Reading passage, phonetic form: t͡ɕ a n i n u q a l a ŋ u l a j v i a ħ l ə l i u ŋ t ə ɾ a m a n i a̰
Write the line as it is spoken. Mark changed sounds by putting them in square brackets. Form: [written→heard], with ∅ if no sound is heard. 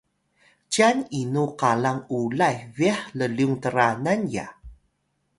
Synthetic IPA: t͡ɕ a n i n u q a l a ŋ u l a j v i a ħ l ə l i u ŋ t ə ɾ a [m→n] a n [i→j] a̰